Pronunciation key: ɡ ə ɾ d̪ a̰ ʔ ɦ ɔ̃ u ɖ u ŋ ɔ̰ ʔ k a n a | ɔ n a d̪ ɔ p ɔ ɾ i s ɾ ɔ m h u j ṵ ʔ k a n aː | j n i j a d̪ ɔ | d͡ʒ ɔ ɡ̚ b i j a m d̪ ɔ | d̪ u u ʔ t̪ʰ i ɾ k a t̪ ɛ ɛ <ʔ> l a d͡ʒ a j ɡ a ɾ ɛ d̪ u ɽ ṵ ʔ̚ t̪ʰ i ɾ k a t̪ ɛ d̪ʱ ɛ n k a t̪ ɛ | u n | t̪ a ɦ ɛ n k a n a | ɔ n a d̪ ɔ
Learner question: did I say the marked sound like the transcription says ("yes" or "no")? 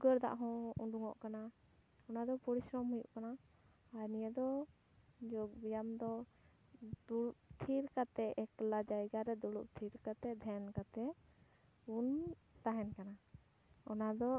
no